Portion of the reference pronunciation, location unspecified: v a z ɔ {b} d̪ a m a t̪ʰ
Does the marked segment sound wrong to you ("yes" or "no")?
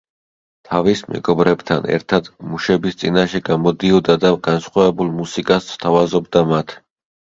no